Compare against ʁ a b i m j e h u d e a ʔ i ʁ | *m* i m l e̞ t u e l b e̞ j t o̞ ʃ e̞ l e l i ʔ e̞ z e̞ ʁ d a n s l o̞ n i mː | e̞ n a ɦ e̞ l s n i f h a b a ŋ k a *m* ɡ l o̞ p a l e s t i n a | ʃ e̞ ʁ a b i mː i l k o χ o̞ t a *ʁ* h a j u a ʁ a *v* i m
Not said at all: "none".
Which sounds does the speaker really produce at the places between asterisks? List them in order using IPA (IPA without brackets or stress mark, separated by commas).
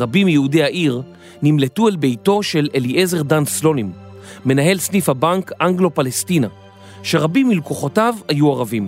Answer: n, ŋ, v, v